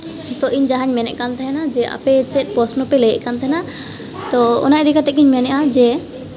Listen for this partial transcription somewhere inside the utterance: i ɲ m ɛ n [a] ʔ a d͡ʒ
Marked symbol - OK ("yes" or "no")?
no